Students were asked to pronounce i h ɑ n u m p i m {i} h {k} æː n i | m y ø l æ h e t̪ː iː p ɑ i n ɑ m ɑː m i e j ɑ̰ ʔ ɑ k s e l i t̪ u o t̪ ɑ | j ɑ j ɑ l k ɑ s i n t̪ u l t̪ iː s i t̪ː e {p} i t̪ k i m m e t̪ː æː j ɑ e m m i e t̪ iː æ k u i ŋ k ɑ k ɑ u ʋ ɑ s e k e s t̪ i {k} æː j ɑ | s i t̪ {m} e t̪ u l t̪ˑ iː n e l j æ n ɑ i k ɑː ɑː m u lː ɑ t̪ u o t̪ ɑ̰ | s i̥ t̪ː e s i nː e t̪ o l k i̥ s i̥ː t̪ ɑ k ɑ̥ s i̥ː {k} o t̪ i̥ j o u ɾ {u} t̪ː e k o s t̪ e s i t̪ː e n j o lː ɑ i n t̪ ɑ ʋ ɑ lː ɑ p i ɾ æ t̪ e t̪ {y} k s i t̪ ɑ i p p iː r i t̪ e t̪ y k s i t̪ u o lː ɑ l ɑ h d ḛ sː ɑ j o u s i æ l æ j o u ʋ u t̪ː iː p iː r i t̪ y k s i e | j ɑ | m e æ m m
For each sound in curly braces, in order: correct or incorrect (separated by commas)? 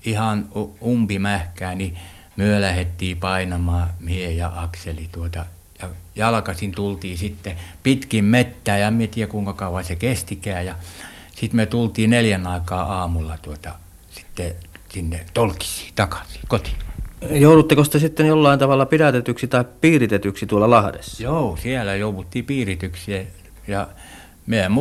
incorrect, correct, correct, correct, correct, correct, correct, correct